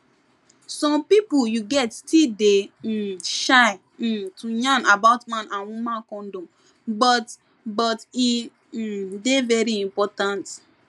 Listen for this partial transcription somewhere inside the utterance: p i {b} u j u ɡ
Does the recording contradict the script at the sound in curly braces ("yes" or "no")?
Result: yes